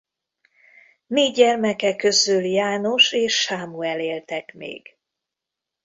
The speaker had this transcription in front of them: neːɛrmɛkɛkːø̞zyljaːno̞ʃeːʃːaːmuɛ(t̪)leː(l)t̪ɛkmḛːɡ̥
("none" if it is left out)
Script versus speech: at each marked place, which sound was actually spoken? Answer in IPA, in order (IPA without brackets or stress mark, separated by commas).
none, l